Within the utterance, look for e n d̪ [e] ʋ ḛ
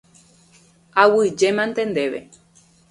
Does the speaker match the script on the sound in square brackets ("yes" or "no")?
yes